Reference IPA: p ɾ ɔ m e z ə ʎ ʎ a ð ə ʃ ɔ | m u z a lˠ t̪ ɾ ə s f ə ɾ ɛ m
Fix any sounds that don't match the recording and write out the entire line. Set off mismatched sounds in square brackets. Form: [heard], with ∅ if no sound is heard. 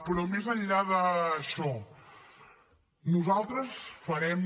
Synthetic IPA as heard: p ɾ ɔ m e z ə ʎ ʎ a ð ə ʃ ɔ | [n] u z a lˠ t̪ ɾ ə s f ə ɾ ɛ m

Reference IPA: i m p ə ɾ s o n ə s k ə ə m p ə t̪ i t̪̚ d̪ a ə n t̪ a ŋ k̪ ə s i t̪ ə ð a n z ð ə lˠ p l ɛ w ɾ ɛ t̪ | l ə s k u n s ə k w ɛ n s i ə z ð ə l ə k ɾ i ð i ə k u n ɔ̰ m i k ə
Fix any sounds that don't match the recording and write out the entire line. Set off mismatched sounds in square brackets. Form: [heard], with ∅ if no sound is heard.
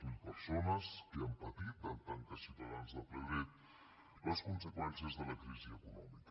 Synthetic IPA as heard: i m p ə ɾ s o n ə s k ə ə m p ə t̪ i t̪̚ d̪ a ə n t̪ a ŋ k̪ ə s i t̪ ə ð a n z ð ə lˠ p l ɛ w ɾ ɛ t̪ | l ə s k u n s ə k w ɛ n s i ə z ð ə l ə k ɾ i [z] i ə k u n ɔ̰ m i k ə

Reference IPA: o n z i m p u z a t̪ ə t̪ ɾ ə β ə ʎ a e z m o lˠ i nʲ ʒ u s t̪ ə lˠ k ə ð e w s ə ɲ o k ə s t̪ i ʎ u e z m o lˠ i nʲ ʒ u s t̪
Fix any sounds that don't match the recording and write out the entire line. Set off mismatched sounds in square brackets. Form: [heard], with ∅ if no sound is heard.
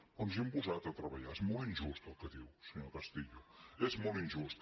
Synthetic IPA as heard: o n z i m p u z a t̪ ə t̪ ɾ ə β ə ʎ a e z m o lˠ i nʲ ʒ u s t̪ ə lˠ k ə ð [i] w s ə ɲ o k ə s t̪ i ʎ u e z m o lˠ i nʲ ʒ u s t̪

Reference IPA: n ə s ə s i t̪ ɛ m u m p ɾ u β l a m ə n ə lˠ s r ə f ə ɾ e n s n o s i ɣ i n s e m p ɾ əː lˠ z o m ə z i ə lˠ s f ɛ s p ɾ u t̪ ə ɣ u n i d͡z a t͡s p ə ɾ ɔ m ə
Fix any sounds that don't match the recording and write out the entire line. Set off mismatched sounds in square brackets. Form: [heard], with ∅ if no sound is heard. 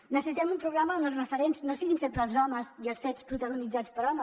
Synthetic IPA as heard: n ə s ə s i t̪ ɛ m u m p ɾ u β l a m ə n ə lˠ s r ə f ə ɾ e n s n o s i ɣ i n s e m p ɾ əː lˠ z [ɔ] m ə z i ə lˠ s f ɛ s p ɾ u t̪ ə ɣ u n i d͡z a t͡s p ə ɾ ɔ m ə

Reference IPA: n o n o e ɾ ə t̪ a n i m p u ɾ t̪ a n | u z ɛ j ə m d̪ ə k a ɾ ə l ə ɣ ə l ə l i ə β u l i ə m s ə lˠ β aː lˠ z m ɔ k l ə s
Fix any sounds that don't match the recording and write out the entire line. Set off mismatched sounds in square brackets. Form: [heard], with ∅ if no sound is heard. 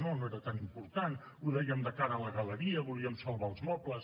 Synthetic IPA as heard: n o n o e ɾ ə t̪ a n i m p u ɾ t̪ a n | u [ð] ɛ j ə m d̪ ə k a ɾ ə l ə ɣ ə l ə [ɾ] i ə β u l i ə m s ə lˠ β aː lˠ z m ɔ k l ə s

